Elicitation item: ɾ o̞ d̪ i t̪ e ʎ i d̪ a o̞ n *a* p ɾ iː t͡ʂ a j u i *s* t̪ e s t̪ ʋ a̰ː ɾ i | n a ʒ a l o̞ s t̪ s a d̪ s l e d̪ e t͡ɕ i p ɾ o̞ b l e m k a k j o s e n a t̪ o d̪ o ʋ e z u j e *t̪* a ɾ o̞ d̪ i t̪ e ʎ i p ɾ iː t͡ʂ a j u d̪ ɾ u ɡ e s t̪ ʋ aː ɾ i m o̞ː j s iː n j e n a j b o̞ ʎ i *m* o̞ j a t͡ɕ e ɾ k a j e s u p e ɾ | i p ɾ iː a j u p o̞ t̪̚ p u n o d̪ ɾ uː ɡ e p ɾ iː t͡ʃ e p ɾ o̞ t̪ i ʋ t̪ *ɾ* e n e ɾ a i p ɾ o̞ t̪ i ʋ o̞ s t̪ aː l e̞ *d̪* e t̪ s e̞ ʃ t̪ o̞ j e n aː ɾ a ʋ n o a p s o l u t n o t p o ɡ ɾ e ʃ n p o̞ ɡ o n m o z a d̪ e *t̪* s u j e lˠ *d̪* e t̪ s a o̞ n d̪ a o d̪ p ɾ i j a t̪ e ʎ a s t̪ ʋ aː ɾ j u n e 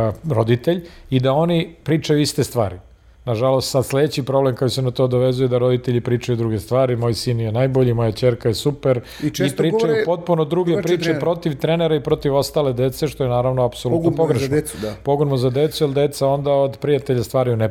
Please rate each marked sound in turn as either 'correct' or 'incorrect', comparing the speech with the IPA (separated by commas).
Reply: incorrect, correct, incorrect, correct, correct, correct, correct, correct